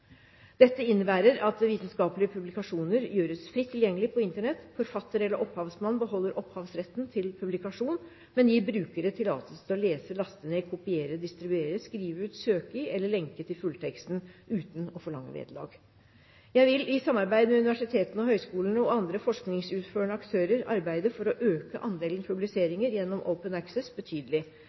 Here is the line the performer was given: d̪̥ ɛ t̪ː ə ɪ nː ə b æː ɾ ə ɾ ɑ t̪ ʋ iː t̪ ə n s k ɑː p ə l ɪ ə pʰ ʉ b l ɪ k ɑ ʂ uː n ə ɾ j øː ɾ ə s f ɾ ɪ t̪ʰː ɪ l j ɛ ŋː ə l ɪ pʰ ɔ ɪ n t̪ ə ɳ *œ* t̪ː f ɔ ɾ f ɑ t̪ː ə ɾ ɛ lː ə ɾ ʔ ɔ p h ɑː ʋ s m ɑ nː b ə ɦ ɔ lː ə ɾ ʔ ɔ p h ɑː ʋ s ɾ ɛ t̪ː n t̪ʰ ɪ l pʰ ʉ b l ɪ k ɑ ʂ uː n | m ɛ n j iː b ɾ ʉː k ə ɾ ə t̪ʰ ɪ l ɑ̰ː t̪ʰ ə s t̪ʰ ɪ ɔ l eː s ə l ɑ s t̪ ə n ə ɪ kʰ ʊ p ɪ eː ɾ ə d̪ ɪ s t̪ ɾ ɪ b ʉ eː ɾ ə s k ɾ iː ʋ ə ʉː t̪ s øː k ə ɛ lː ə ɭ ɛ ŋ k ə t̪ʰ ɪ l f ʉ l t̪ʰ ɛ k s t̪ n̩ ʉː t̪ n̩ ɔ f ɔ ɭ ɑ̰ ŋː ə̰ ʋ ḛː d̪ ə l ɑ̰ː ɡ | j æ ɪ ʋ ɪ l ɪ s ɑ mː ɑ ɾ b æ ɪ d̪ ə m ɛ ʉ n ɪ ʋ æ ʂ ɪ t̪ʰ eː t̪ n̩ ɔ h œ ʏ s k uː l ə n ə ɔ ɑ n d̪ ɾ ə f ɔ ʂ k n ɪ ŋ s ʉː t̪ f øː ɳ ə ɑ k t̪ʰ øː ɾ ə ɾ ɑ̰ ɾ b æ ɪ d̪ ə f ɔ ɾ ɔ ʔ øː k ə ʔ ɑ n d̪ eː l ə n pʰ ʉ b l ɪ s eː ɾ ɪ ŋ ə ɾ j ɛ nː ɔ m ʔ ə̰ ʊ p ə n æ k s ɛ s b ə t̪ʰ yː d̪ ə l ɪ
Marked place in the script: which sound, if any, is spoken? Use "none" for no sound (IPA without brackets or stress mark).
ɛ